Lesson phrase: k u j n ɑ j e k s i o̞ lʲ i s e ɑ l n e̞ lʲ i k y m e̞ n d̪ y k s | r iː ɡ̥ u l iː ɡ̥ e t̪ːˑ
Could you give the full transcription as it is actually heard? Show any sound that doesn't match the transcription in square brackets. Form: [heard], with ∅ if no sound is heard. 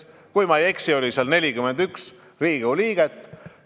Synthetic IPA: k u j [m] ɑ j e k s i o̞ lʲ i s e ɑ l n e̞ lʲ i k y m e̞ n d̪ y k s | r iː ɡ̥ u l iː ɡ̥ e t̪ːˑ

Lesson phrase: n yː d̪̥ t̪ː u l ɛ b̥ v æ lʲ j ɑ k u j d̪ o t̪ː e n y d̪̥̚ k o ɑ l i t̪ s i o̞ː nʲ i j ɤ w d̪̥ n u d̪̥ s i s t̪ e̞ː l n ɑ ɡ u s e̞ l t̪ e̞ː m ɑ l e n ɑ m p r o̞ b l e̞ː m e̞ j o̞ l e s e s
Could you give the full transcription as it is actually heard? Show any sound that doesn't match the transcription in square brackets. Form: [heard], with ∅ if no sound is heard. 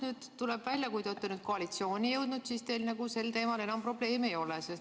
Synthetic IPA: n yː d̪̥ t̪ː u l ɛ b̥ v æ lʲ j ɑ k u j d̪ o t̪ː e n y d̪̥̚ k o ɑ l i t̪ s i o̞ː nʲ i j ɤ w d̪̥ n u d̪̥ s i s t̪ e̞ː l n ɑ ɡ u s e̞ l t̪ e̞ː m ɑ l e n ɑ m p r o̞ b l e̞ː m e̞ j o̞ l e s e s

